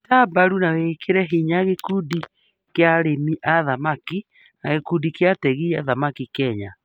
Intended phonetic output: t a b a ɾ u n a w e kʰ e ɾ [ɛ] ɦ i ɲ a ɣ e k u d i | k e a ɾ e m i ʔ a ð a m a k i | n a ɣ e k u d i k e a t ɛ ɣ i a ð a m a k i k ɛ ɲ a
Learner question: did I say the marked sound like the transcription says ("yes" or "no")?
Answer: yes